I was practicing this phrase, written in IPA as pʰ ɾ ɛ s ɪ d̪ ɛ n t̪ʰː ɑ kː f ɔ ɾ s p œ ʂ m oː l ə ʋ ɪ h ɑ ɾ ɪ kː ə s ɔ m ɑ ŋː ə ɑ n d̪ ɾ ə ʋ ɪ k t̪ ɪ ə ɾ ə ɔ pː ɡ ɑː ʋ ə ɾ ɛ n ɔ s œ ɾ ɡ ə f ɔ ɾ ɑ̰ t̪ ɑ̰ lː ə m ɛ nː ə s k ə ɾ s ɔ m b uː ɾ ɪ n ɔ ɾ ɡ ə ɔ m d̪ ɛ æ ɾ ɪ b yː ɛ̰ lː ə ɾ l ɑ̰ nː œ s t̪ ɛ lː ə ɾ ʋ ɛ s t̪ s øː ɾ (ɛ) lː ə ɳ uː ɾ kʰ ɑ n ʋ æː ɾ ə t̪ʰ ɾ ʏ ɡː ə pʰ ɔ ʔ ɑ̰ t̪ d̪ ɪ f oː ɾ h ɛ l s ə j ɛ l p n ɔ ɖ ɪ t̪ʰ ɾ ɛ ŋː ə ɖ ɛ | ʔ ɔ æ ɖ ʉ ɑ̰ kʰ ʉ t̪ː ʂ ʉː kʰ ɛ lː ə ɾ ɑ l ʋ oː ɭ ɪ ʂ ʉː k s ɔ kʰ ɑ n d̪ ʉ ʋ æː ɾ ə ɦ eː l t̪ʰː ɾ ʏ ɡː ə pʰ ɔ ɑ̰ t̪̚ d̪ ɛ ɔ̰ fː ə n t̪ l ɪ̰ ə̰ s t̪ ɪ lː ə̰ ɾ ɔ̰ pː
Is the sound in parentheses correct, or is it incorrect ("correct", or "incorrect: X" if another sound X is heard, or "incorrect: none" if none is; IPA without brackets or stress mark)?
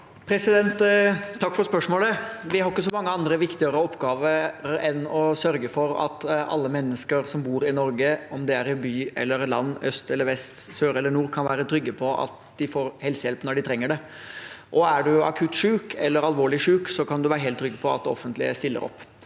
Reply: correct